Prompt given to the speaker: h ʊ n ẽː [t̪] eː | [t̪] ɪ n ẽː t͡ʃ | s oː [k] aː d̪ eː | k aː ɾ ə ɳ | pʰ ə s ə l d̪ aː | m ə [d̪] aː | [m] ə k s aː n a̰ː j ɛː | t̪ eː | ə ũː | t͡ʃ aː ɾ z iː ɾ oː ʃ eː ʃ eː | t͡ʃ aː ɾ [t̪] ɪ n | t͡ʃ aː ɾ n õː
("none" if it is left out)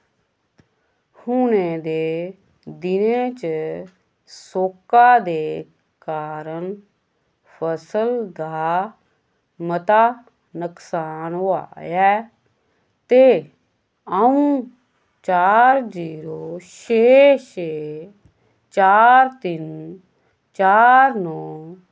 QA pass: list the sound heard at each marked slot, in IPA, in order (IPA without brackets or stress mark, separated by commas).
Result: d̪, d̪, k, t̪, n, t̪